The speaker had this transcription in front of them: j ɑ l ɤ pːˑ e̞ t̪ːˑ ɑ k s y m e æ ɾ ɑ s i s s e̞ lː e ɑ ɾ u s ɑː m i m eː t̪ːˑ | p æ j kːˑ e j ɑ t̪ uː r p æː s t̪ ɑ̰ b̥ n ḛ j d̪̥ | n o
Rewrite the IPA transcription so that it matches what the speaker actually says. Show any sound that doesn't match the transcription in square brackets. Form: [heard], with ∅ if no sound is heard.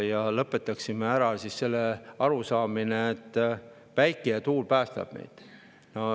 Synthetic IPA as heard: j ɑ l ɤ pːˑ e̞ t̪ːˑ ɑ k s [i] m e æ ɾ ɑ s i s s e̞ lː e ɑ ɾ u s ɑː m i [n] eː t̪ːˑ | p æ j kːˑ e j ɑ t̪ uː [l] p æː s t̪ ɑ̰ b̥ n ḛ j d̪̥ | n o